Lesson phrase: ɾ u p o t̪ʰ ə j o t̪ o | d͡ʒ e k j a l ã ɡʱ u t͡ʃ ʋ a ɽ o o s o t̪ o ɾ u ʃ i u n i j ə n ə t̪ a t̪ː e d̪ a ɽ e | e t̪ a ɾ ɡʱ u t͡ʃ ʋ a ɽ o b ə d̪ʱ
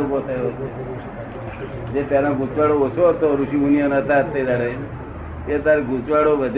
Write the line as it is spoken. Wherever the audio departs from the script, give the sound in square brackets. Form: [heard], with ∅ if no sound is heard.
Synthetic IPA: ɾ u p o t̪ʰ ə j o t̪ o | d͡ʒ e [p] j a l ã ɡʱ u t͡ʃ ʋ a ɽ o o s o t̪ o ɾ u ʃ i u n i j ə n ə t̪ a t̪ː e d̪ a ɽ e | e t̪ a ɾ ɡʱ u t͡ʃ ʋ a ɽ o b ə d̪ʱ